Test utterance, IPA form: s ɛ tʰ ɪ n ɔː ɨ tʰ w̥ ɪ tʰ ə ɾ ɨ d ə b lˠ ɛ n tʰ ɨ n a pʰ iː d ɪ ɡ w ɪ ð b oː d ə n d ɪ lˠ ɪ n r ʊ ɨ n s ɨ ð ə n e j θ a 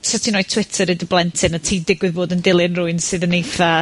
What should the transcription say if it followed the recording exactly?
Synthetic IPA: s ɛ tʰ i n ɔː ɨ tʰ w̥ ɪ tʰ ə ɾ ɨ d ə b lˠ ɛ n tʰ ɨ n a tʰ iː d ɪ ɡ w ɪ ð b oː d ə n d ɪ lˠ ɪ n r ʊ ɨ n s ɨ ð ə n e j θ a